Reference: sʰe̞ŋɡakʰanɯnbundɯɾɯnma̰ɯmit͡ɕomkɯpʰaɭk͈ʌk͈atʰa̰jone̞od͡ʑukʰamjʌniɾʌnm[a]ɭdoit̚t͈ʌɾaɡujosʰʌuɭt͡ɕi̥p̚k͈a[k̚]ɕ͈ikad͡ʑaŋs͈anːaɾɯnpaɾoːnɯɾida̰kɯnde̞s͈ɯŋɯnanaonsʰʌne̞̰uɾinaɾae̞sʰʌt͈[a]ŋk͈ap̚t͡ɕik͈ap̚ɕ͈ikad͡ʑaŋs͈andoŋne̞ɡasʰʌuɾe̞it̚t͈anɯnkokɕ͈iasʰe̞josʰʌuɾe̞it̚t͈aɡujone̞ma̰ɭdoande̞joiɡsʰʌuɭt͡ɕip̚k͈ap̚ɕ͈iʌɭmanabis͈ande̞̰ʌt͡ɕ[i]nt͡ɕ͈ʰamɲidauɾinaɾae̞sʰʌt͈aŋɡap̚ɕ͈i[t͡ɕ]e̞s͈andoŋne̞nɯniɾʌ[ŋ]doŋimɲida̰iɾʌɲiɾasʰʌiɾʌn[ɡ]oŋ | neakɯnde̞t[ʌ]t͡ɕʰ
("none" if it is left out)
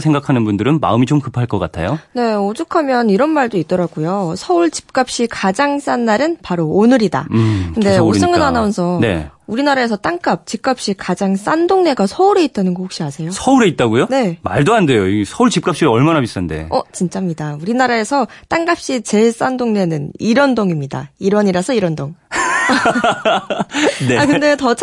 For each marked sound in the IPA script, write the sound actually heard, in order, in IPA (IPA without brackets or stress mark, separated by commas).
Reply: a, p̚, a, i, t͡ɕ, n, d, ʌ